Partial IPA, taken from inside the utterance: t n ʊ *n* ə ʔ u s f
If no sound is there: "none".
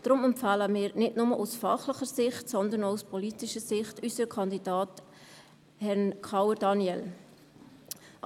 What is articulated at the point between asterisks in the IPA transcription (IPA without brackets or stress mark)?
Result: m